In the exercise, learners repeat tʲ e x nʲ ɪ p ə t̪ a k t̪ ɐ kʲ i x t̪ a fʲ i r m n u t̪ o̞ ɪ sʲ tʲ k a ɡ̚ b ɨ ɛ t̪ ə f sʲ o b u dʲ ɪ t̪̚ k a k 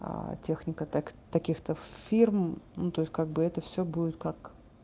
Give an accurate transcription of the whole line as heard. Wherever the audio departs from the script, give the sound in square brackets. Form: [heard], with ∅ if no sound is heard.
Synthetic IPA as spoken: tʲ e x nʲ ɪ [k] ə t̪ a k t̪ ɐ kʲ i x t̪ [ə] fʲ i r m n u t̪ o̞ ɪ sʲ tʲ k a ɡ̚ b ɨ ɛ t̪ ə f sʲ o b u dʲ ɪ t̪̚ k a k